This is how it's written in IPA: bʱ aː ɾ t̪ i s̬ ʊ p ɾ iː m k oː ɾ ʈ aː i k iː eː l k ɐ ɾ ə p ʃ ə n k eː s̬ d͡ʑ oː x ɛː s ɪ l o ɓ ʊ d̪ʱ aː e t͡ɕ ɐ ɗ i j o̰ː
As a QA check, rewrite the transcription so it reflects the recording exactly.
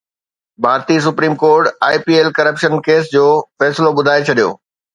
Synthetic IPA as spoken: bʱ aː ɾ t̪ i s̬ ʊ p ɾ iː m k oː ɾ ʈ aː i p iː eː l k ɐ ɾ ə p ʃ ə n k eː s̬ d͡ʑ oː f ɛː s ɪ l o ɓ ʊ d̪ʱ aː e t͡ɕʰ ɐ ɗ i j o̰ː